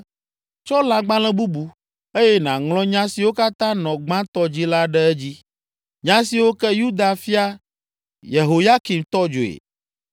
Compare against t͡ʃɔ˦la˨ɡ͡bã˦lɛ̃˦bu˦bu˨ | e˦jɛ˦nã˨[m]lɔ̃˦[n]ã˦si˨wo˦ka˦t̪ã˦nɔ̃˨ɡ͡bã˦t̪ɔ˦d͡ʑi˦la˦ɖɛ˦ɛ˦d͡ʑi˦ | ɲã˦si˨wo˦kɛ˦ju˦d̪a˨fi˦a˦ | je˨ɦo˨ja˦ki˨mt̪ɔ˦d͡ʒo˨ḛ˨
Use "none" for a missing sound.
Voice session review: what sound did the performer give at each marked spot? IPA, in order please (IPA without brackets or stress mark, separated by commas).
ŋ, ɲ